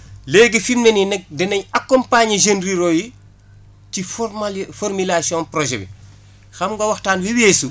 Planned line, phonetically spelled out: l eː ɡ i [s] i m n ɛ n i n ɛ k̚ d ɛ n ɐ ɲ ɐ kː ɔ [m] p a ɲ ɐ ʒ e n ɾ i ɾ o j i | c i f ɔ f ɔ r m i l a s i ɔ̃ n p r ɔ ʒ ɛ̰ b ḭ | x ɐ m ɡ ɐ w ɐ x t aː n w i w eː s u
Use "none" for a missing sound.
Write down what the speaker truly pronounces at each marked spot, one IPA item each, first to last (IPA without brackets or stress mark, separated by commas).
f, m